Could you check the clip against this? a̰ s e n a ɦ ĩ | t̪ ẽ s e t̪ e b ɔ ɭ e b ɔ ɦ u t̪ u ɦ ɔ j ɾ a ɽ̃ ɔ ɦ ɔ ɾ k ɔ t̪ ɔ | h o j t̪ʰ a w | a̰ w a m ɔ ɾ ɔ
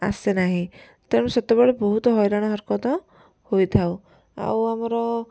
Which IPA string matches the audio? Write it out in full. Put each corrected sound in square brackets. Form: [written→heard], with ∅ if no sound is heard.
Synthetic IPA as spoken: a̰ s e n a ɦ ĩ | t̪ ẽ s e t̪ e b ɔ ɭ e b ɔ ɦ u t̪ [u→ɔ] ɦ ɔ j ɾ a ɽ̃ ɔ ɦ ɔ ɾ k ɔ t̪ ɔ | h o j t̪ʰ a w | a̰ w a m ɔ ɾ ɔ